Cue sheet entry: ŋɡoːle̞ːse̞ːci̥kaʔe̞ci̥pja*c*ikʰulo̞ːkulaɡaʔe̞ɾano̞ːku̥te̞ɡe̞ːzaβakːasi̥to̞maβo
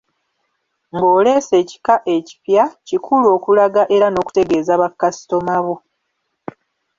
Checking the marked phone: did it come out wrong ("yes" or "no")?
no